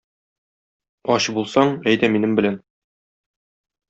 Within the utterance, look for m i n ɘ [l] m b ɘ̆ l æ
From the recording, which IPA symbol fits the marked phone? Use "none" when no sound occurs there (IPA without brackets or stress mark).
none